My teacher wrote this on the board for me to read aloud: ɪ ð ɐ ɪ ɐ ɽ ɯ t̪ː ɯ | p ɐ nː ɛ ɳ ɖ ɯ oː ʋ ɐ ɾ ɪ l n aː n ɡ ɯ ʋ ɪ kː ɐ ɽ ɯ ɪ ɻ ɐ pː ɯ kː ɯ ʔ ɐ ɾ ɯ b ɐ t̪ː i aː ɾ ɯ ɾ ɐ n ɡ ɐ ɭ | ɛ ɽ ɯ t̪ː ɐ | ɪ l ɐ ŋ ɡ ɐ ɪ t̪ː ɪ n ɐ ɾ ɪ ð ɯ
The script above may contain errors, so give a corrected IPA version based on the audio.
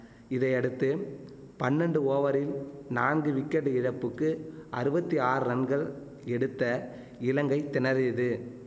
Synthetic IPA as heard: ɪ ð ɐ ɪ ɐ ɽ ɯ t̪ː ɯ | p ɐ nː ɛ ɳ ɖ ɯ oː ʋ ɐ ɾ ɪ l n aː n ɡ ɯ ʋ ɪ kː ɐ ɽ ɯ ɪ ɻ ɐ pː ɯ kː ɯ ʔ ɐ ɾ ɯ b ɐ t̪ː i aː ɾ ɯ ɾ ɐ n ɡ ɐ ɭ | ɛ ɽ ɯ t̪ː ɐ | ɪ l ɐ ŋ ɡ ɐ ɪ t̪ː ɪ n ɐ ɾ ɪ ð ɯ